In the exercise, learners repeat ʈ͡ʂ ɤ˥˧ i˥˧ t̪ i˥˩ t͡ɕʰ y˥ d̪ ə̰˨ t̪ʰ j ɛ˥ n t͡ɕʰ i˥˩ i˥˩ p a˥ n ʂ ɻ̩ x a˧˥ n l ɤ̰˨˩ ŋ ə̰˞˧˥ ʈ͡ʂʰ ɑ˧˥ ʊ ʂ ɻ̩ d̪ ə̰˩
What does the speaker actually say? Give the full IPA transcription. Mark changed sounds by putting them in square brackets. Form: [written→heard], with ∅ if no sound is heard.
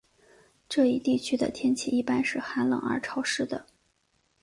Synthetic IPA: ʈ͡ʂ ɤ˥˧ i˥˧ t̪ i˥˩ t͡ɕʰ y˥ d̪ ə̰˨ t̪ʰ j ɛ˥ n t͡ɕʰ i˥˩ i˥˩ p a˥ n ʂ ɻ̩ x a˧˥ n l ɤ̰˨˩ ŋ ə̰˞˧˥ ʈ͡ʂʰ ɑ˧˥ ʊ ʂ ɻ̩ d̪ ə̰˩